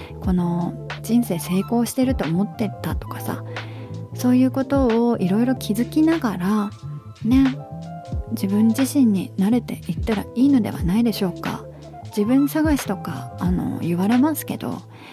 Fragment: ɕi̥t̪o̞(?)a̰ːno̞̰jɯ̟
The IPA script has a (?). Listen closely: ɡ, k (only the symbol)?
k